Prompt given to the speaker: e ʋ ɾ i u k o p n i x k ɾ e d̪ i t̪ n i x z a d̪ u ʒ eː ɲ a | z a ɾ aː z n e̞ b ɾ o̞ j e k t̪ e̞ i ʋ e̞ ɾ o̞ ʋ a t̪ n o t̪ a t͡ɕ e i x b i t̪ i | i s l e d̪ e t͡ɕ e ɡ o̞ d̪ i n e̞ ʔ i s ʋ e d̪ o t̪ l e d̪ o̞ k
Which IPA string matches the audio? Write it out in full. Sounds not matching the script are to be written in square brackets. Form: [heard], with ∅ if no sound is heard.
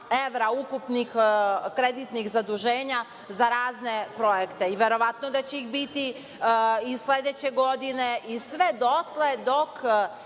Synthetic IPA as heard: e ʋ ɾ [a] u k [u] p n i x k ɾ e d̪ i t̪ n i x z a d̪ u ʒ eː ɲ a | z a ɾ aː z n e̞ [p] ɾ o̞ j e k t̪ e̞ i ʋ e̞ ɾ o̞ ʋ a t̪ n o [d̪] a t͡ɕ e i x b i t̪ i | i s l e d̪ e t͡ɕ e ɡ o̞ d̪ i n e̞ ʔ i s ʋ e d̪ o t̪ l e d̪ o̞ k